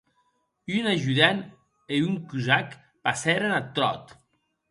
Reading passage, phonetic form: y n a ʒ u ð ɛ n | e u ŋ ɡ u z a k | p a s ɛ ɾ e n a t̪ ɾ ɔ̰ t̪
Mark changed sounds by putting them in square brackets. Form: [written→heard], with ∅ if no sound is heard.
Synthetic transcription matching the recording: y n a ʒ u ð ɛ n | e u ŋ [ɡ→k] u z a k | p a s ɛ ɾ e n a t̪ ɾ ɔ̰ t̪